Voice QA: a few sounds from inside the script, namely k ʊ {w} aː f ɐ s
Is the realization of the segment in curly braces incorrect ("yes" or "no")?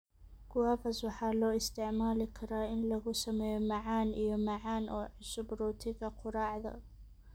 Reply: no